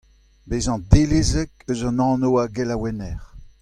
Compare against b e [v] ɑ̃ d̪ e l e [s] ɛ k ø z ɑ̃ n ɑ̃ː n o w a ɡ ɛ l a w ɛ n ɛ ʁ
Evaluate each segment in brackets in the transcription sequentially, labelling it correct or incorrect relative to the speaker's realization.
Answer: incorrect: z, incorrect: z

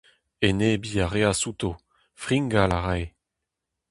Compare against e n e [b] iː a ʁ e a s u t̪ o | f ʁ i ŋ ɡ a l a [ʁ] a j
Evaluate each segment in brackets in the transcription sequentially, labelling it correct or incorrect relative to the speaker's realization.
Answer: correct, correct

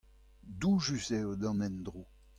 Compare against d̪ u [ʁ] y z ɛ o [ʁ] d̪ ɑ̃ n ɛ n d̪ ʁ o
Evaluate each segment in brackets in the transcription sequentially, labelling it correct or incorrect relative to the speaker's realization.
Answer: incorrect: ʒ, incorrect: none

